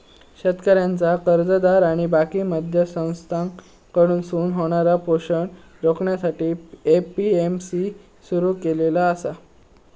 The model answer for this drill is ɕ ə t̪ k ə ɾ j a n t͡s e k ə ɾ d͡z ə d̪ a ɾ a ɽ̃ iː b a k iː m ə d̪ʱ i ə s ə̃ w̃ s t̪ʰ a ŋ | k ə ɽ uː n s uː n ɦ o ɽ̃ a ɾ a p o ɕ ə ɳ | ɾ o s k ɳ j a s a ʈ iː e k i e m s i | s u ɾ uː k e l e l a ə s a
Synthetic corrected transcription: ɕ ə t̪ k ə ɾ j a n t͡s a k ə ɾ d͡z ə d̪ a ɾ a ɽ̃ i b a k iː m ə d̪ʱ j ə s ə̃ w̃ s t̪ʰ a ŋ | k ə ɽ uː n s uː n ɦ o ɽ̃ a ɾ a p o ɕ ə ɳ | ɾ o k ɳ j a s a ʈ iː e p i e m s i | s u ɾ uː k e l e l a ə s a